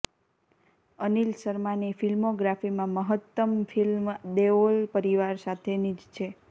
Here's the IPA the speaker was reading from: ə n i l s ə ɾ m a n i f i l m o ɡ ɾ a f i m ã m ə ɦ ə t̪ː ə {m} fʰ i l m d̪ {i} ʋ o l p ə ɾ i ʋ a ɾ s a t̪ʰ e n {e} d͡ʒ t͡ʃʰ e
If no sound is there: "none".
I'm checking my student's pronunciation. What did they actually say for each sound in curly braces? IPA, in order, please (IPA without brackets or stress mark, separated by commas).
m, e, i